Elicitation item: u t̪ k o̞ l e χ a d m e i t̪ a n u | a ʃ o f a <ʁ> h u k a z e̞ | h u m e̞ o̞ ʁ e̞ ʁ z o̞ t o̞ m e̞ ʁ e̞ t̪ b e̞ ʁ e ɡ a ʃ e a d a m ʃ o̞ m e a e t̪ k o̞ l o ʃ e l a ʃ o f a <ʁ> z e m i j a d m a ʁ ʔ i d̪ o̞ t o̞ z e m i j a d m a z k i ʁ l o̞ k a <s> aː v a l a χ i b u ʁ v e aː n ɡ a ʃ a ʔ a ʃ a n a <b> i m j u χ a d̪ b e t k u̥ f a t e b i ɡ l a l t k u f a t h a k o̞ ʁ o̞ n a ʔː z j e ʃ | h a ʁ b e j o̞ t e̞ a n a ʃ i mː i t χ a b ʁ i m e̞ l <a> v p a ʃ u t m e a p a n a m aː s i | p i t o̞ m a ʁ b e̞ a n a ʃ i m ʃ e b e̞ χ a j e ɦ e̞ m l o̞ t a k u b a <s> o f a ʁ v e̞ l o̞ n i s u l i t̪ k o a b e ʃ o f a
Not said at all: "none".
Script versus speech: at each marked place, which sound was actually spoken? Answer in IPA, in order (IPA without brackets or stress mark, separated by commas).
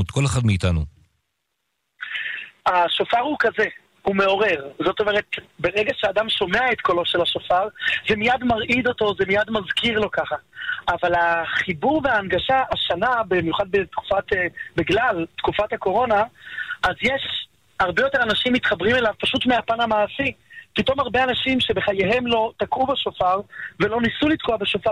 ʁ, ʁ, χ, b, a, ʃ